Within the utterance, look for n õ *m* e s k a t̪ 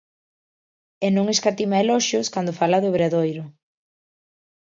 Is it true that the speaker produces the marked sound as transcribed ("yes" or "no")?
no